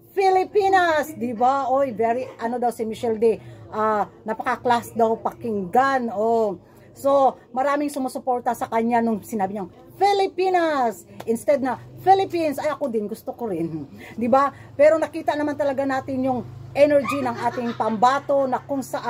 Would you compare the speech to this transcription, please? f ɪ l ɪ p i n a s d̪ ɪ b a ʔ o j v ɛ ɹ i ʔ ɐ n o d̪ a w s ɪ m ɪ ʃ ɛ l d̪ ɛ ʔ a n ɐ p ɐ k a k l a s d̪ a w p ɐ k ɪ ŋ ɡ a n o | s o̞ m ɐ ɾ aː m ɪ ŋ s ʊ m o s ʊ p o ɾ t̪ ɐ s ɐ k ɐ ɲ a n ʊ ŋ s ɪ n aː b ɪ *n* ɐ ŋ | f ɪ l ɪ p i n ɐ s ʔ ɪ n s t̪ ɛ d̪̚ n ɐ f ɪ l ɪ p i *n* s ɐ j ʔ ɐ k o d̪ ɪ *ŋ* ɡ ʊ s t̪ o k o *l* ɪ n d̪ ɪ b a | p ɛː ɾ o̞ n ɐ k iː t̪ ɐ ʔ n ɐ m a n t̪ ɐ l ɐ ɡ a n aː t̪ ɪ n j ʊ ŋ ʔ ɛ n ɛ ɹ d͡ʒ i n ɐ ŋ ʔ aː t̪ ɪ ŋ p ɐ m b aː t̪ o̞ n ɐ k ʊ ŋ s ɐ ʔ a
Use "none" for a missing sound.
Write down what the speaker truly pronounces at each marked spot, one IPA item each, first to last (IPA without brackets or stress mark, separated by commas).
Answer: ɲ, n, n, ɾ